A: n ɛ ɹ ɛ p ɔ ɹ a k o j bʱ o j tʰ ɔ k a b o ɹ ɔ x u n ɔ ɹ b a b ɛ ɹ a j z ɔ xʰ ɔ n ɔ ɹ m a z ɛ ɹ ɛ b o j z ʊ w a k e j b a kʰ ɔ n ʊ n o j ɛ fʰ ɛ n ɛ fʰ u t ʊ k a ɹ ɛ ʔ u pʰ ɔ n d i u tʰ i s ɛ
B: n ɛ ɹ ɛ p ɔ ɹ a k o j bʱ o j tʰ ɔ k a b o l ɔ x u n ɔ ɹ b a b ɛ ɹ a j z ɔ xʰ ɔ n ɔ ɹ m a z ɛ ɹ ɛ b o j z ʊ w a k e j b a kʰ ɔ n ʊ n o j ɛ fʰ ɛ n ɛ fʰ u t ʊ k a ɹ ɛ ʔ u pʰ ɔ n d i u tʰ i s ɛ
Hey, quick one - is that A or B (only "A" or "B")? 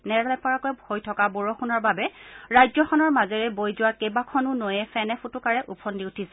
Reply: A